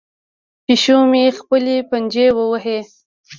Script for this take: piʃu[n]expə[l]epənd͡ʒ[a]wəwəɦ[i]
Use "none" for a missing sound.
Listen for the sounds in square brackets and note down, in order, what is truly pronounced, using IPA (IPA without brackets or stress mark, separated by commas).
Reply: m, l, e, e